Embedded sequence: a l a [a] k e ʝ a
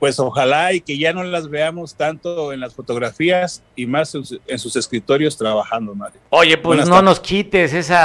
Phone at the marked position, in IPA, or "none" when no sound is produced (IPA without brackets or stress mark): i